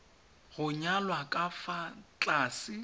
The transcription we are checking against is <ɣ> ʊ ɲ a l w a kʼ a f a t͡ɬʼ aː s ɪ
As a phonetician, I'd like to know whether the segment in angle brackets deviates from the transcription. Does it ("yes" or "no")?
no